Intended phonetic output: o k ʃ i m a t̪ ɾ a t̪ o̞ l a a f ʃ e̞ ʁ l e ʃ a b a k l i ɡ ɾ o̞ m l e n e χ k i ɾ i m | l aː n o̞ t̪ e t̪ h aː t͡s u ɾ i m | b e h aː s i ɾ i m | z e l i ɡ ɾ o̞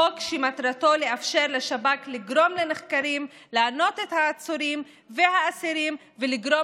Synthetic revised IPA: o k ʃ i m a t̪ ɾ a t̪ o̞ l e a f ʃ e̞ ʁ l e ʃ a b a k l i ɡ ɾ o̞ m l e n e χ k a ɾ i m | l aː n o̞ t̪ e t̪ h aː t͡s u ɾ i m | v e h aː s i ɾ i m | v e l i ɡ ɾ o̞